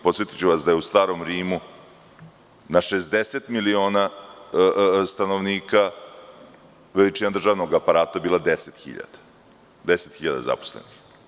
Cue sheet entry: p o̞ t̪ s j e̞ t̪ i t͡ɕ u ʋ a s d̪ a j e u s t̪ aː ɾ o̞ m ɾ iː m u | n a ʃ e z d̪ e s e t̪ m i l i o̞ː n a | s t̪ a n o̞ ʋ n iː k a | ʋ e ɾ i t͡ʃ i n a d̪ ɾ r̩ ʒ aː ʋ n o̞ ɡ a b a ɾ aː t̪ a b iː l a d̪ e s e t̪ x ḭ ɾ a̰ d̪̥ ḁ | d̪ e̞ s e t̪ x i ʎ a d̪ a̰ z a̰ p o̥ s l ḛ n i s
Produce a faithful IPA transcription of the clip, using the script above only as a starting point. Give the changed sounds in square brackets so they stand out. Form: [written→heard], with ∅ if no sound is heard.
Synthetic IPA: p o̞ t̪ s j e̞ t̪ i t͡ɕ u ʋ a s d̪ a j e u s t̪ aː ɾ o̞ m ɾ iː m u | n a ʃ e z d̪ e s e t̪ m i l i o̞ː n a | s t̪ a n o̞ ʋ n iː k a | ʋ e [ɾ→l] i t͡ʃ i n a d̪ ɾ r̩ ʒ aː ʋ n o̞ ɡ a [b→p] a ɾ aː t̪ a b iː l a d̪ e s e t̪ x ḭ [ɾ→ʎ] a̰ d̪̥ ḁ | d̪ e̞ s e t̪ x i ʎ a d̪ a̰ z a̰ p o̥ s l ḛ n i [s→x]